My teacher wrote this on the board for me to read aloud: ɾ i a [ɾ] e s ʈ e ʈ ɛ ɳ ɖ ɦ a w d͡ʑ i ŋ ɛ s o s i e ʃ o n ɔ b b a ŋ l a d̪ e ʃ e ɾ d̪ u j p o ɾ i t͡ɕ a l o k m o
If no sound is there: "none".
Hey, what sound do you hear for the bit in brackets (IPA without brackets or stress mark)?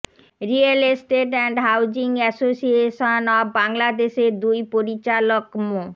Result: l